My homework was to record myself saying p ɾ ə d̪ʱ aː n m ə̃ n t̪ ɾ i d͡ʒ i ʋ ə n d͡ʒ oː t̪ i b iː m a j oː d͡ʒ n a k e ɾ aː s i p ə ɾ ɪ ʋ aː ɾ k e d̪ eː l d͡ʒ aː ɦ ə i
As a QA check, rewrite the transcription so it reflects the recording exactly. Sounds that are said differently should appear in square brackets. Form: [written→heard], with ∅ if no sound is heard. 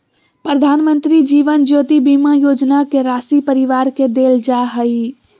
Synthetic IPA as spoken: p ɾ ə d̪ʱ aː n m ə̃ n t̪ ɾ i d͡ʒ [i→iː] ʋ ə n d͡ʒ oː t̪ i b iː m a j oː d͡ʒ n a k e ɾ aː s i p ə ɾ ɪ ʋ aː ɾ k e d̪ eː l d͡ʒ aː ɦ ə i

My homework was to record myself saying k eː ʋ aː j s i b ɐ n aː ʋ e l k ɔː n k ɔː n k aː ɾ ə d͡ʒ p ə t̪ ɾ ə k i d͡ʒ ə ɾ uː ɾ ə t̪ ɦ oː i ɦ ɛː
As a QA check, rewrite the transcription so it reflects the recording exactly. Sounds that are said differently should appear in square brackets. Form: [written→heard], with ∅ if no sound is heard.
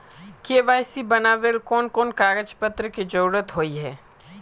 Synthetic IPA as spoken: k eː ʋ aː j s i b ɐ n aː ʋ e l k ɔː n k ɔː n k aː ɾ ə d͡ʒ p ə t̪ ɾ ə k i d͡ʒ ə ɾ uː ɾ ə t̪ ɦ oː i ɦ ɛː

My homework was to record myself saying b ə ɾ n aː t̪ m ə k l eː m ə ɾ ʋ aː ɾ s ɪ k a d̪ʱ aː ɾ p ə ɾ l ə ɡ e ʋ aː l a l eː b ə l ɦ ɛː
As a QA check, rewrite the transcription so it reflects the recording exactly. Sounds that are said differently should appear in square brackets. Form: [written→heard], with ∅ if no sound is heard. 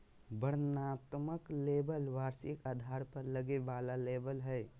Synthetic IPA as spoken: b ə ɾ n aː t̪ m ə k l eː [m→b] ə [ɾ→l] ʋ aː ɾ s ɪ k a d̪ʱ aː ɾ p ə ɾ l ə ɡ e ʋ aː l a l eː b ə l ɦ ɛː

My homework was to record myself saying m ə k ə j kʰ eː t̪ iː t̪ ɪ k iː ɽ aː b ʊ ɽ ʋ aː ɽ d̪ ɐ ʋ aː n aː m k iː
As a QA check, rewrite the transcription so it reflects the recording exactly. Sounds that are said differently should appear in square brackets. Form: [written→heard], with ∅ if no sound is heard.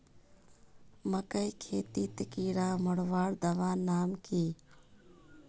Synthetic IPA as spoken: m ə k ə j kʰ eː t̪ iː t̪ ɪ k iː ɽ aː [b→m] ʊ ɽ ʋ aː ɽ d̪ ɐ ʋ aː n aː m k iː

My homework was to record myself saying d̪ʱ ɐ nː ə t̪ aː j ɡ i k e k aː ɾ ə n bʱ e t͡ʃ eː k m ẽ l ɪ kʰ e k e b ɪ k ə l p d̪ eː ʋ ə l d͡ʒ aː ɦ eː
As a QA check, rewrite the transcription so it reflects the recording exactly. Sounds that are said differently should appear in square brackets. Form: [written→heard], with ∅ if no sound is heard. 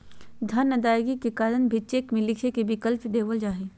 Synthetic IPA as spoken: d̪ʱ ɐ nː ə [t̪→d̪] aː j ɡ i k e k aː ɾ ə n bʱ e t͡ʃ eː k m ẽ l ɪ kʰ e k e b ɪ k ə l p d̪ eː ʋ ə l d͡ʒ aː ɦ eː

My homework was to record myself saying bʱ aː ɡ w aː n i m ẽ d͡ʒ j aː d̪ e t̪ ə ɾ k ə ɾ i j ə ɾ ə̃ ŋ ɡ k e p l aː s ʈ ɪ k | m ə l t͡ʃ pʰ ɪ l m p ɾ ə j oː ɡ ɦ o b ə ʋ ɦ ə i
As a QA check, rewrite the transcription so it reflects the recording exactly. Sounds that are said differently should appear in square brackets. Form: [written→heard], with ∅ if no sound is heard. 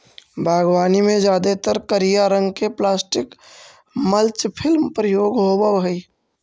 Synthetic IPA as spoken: bʱ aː ɡ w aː n i m ẽ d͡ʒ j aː d̪ e t̪ ə ɾ k ə ɾ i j [ə→a] ɾ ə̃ ŋ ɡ k e p l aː s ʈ ɪ k | m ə l t͡ʃ pʰ ɪ l m p ɾ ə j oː ɡ ɦ o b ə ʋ ɦ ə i

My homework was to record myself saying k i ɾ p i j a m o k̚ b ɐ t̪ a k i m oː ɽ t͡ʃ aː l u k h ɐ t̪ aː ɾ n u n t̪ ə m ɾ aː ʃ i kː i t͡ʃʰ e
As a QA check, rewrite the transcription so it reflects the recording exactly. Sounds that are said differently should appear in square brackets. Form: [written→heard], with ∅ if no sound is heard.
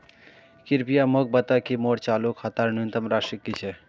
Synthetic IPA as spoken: k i ɾ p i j a m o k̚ b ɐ t̪ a k i m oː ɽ t͡ʃ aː l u k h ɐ t̪ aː ɾ n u n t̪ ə m ɾ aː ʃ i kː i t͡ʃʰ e

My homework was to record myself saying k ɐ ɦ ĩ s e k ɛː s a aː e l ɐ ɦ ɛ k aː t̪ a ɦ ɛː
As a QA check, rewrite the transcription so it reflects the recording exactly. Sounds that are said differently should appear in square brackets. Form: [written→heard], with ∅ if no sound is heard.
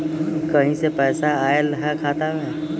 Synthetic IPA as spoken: k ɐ ɦ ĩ s e [k→p] ɛː s a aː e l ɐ ɦ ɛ [k→kʰ] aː t̪ a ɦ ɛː

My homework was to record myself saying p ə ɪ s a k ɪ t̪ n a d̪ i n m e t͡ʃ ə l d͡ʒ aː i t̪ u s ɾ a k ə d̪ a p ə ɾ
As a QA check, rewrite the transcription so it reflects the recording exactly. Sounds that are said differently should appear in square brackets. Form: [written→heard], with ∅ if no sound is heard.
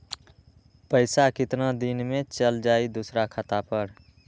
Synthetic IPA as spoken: p ə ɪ s a k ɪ t̪ n a d̪ i n m e t͡ʃ ə l d͡ʒ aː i [t̪→d̪] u s ɾ a [k→kʰ] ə [d̪→t̪] a p ə ɾ

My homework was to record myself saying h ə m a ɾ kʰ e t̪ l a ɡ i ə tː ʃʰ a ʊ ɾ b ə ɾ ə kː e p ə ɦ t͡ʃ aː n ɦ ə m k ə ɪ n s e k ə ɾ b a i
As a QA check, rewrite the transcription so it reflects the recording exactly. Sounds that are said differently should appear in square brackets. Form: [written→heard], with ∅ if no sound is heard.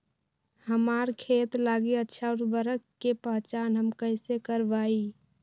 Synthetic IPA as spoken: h ə m a ɾ kʰ e t̪ l a ɡ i ə tː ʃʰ a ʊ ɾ b ə ɾ ə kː e p ə ɦ t͡ʃ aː n ɦ ə m k ə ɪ [n→∅] s e k ə ɾ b a i

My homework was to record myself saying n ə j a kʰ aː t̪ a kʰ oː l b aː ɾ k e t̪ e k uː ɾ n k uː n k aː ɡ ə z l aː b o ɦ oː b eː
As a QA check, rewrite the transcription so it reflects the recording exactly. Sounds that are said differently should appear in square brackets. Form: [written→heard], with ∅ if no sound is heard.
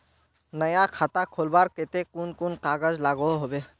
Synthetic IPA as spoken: n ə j a kʰ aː t̪ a kʰ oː l b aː ɾ k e t̪ e k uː [ɾ→∅] n k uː n k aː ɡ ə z l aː [b→ɡ] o ɦ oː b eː

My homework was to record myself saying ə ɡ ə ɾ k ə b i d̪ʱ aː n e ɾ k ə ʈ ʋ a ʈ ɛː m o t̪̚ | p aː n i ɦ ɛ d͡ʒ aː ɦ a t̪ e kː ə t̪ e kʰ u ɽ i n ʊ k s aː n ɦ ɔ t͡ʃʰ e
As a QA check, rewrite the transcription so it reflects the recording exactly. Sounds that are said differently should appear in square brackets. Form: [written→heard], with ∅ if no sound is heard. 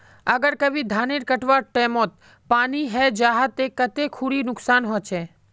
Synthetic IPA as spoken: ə ɡ ə ɾ k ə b i d̪ʱ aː n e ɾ k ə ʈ ʋ a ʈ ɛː m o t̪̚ | p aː n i ɦ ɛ d͡ʒ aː ɦ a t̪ e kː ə t̪ e kʰ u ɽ i n ʊ k s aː n ɦ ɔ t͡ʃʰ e

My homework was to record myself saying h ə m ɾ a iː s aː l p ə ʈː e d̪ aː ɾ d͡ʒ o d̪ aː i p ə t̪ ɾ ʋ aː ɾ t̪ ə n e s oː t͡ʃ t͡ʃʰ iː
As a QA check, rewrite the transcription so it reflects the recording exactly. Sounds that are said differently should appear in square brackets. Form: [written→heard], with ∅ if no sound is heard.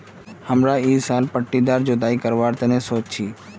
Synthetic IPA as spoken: h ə m ɾ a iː s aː l p ə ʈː [e→i] d̪ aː ɾ d͡ʒ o d̪ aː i [p→k] ə [t̪→∅] ɾ ʋ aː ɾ t̪ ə n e s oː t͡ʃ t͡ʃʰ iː

